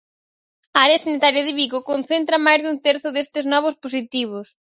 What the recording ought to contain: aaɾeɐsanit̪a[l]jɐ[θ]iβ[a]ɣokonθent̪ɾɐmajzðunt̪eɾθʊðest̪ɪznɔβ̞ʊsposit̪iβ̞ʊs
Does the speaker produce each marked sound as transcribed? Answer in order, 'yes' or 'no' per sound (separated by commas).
no, no, no